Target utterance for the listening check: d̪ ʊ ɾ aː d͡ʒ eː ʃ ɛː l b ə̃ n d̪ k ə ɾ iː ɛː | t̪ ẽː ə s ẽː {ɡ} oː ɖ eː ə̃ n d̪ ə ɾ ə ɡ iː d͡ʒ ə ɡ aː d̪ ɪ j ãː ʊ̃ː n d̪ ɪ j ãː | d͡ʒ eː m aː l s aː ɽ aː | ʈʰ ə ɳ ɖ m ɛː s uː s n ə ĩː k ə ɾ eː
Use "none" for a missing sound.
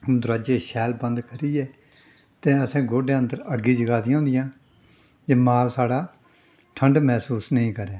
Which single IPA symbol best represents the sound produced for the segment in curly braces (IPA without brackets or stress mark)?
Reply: ɡ